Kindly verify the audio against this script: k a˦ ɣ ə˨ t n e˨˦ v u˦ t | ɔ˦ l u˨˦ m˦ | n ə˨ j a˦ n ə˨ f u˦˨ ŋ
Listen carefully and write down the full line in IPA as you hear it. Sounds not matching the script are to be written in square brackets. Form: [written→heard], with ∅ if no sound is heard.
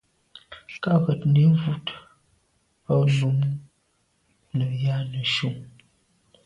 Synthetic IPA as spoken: k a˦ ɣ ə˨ t n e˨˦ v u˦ t | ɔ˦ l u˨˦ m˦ | n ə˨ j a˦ n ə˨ [f→ʃ] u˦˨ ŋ